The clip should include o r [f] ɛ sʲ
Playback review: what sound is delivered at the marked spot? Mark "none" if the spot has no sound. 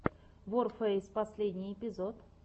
f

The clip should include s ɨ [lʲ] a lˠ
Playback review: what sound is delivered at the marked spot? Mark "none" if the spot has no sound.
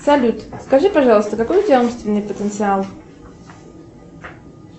none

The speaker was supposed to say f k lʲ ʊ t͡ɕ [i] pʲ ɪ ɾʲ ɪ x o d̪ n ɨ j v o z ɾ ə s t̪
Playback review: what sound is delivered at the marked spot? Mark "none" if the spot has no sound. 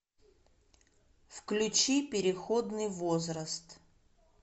i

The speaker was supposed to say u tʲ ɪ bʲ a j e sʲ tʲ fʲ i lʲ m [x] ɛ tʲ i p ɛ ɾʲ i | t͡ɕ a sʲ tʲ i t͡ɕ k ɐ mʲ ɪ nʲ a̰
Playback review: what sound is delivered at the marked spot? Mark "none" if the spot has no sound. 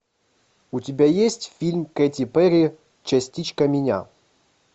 k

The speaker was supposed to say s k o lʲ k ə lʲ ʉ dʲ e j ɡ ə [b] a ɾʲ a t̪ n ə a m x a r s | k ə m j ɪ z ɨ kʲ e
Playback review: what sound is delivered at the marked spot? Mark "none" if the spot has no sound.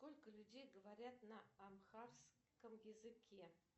v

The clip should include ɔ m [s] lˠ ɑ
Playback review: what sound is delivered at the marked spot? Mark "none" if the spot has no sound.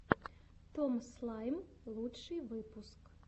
s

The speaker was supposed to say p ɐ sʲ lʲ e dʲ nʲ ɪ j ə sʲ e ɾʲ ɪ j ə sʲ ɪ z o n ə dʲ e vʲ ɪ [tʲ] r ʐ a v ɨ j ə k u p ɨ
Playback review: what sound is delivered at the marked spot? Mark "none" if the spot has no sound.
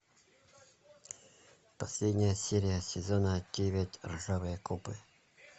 tʲ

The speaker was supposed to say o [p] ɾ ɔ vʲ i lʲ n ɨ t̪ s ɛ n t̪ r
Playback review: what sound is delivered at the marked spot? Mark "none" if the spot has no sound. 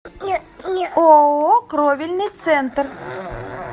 k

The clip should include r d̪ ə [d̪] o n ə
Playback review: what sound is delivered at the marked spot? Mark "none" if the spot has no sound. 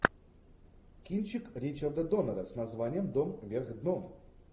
d̪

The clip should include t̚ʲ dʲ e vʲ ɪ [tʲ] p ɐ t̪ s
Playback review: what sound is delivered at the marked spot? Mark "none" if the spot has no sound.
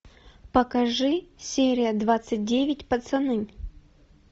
tʲ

